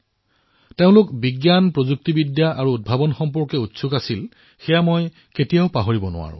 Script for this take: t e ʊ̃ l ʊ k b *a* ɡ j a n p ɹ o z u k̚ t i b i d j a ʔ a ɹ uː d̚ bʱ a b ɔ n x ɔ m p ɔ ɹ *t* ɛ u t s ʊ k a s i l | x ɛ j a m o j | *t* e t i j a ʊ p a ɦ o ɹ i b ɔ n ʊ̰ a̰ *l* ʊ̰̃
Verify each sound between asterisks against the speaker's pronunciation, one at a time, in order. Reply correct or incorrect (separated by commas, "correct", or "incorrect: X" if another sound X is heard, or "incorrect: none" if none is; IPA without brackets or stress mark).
incorrect: i, incorrect: k, incorrect: k, incorrect: ɹ